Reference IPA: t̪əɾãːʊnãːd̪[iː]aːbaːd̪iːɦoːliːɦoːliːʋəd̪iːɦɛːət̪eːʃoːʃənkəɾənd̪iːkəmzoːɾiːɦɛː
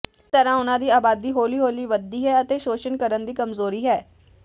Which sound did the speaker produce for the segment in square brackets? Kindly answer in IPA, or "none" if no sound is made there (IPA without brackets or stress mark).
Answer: iː